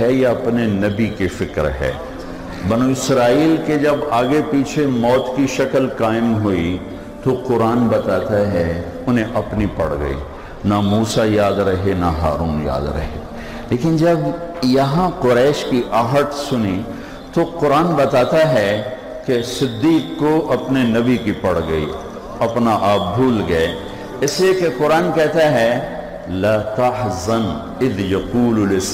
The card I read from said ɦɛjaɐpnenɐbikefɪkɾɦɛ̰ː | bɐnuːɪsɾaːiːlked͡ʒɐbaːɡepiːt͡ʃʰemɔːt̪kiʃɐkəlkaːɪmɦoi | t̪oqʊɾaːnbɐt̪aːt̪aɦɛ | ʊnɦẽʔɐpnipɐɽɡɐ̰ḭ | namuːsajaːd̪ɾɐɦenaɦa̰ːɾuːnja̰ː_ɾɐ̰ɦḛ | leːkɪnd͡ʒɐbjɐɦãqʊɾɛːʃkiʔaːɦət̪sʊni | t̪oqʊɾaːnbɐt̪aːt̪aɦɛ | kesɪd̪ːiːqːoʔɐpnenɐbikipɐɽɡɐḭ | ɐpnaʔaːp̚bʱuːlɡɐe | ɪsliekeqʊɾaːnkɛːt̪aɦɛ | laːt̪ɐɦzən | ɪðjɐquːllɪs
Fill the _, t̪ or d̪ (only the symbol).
d̪